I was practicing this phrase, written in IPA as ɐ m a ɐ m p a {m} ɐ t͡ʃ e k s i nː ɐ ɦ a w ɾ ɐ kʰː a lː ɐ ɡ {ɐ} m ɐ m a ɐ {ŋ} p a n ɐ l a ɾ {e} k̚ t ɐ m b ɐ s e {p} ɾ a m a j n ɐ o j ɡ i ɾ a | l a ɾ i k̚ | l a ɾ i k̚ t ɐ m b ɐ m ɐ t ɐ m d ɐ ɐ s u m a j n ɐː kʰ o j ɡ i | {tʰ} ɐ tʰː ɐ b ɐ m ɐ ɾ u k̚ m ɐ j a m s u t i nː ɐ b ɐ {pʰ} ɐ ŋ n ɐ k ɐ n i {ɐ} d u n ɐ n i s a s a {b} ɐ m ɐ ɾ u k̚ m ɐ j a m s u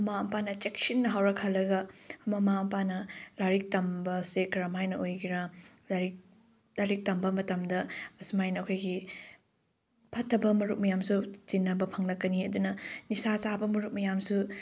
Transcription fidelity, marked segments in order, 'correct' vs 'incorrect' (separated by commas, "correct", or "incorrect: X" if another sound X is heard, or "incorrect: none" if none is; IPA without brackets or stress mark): incorrect: n, correct, incorrect: m, incorrect: i, incorrect: k, incorrect: pʰ, correct, correct, correct